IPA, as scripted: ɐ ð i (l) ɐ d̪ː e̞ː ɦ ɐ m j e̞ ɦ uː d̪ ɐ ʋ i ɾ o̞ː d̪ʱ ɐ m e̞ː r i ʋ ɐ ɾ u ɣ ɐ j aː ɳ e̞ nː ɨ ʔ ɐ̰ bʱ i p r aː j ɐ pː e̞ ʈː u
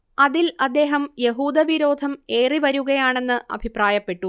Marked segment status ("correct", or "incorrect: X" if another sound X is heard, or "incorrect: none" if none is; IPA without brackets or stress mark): correct